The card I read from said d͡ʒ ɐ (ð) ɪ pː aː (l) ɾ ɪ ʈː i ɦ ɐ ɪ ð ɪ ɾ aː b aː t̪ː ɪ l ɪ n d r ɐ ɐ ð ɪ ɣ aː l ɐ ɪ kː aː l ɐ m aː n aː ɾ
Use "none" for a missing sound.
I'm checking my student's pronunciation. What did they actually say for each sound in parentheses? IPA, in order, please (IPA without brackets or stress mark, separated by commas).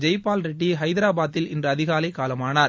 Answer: none, l